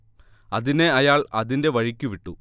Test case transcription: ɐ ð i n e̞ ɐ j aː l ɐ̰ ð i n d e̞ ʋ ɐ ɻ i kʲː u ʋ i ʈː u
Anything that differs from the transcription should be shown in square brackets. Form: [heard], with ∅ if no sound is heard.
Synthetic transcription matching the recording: ɐ ð i n e̞ ɐ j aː [ɭ] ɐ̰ ð i n d e̞ ʋ ɐ ɻ i kʲː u ʋ i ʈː u